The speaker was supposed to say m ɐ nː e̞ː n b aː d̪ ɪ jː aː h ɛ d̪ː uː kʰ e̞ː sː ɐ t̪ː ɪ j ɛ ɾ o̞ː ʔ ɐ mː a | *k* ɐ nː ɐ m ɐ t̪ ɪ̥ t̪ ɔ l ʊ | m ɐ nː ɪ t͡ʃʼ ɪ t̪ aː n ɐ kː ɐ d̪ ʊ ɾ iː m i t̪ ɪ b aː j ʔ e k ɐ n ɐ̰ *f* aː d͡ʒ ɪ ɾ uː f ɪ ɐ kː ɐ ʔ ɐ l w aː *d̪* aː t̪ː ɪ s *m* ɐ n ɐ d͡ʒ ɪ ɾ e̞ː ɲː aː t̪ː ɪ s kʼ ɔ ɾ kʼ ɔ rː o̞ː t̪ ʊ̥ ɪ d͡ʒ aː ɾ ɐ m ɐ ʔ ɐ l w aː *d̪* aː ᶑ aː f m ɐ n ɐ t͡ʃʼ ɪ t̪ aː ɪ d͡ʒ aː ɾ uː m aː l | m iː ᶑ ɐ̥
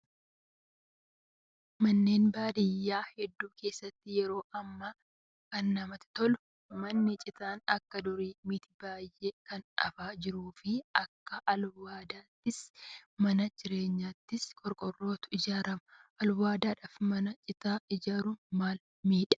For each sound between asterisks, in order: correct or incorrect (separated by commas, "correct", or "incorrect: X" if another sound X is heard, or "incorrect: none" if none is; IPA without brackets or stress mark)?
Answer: correct, correct, correct, correct, correct